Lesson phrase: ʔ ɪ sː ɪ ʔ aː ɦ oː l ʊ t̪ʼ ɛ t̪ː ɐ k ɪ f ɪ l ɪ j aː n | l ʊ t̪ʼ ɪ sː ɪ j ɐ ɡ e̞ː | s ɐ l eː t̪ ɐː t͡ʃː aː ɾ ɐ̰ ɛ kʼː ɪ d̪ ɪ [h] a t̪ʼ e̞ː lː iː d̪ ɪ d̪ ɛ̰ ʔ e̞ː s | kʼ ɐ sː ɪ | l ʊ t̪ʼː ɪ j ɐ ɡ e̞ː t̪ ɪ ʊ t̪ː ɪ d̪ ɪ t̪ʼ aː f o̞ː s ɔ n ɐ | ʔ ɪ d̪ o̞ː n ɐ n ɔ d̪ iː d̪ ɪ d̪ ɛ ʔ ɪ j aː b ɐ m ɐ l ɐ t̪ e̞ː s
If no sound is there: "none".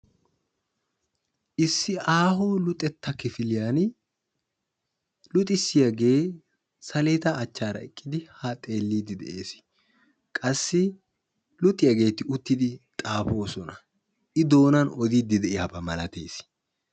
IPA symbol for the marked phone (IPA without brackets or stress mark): h